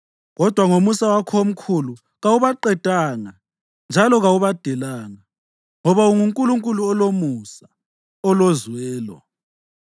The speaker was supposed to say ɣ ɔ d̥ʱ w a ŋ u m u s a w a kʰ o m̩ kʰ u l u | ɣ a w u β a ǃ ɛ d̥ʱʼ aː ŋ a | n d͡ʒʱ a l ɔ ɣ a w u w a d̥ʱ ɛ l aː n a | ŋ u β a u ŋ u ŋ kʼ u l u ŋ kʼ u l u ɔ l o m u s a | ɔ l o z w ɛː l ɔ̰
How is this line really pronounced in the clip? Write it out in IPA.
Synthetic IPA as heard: ɣ ɔ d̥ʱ w a ŋ o m u s a w a kʰ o m̩ kʰ u l u | ɣ a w u β a ǃ ɛ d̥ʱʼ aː ŋ a | n d͡ʒʱ a l ɔ ɣ a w u β a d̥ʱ ɛ l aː ŋ a | ŋ ɔ β a u ŋ u ŋ kʼ u l u ŋ kʼ u l u ɔ l o m u s a | ɔ l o z w ɛː l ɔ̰